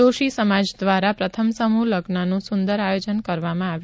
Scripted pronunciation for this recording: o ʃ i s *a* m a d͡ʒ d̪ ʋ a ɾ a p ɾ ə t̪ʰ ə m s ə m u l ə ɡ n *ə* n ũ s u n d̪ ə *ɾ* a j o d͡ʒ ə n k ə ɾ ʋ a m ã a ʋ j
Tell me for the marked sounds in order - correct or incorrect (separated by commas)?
incorrect, incorrect, correct